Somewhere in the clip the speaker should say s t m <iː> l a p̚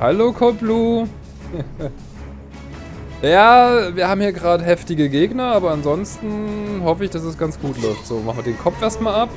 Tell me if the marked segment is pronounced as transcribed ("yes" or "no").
no